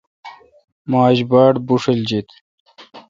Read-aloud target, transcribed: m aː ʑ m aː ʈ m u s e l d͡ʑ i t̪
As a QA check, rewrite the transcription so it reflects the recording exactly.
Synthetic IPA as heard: m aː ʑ b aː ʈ b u ʂ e l d͡ʑ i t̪